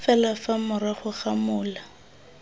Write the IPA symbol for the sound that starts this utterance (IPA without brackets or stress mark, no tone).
f